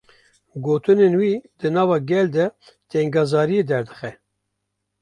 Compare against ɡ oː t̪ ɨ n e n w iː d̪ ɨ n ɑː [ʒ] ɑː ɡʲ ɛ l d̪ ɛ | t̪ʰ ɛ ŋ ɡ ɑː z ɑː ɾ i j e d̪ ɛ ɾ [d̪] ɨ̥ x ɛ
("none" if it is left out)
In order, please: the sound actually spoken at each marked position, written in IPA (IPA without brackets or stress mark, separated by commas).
v, d̪